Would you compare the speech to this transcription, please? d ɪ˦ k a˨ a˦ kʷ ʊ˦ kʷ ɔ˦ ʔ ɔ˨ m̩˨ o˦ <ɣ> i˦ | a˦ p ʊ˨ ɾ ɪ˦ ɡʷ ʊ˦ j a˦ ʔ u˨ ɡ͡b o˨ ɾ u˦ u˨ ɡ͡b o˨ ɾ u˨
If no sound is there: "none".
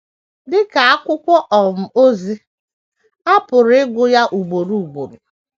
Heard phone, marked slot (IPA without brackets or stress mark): z